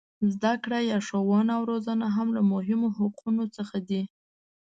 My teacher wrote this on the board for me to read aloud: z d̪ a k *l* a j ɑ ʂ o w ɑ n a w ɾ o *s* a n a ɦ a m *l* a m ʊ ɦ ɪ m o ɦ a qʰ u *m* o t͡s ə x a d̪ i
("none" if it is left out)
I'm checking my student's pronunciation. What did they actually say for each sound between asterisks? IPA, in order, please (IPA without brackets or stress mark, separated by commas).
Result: ɽ, z, l, n